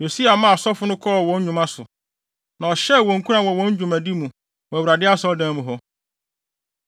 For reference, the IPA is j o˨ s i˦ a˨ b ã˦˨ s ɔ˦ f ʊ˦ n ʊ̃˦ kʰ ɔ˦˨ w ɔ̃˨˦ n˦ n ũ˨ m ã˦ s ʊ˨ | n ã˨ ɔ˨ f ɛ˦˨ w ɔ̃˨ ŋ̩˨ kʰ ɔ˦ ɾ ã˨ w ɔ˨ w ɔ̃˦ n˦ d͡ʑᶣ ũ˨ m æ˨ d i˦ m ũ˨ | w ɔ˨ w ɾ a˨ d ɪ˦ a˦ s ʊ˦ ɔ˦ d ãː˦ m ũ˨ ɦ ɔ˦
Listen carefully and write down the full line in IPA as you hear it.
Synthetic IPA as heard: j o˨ s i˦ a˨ m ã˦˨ s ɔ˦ f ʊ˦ n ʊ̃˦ kʰ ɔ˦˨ w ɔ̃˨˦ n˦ ɲ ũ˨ m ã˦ s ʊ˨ | n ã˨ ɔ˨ ɕ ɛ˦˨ w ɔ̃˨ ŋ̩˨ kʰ u˦ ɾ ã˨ w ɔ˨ w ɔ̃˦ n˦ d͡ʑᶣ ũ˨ m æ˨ d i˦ m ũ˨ | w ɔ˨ w ɾ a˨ d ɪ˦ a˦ s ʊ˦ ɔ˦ d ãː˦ m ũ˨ ɦ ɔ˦